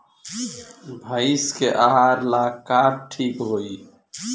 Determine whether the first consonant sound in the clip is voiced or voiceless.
voiced